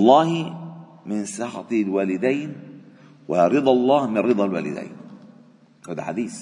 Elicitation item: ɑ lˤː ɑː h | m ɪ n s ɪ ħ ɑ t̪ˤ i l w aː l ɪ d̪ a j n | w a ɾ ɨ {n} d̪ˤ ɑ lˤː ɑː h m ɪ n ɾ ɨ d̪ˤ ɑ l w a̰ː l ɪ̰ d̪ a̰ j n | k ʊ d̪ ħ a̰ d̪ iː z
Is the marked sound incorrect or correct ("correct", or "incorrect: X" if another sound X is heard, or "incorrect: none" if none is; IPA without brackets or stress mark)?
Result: incorrect: none